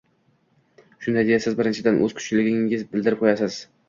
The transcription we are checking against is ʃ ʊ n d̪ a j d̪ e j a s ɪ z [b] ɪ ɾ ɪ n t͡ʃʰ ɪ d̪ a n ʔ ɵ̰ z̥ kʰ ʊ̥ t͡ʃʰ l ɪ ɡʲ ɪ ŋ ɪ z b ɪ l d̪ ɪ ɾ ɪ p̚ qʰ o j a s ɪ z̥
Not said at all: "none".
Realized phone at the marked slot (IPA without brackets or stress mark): b